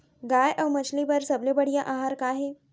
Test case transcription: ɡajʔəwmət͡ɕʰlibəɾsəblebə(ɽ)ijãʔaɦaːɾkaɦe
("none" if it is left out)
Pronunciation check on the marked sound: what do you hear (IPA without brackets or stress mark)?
ɽ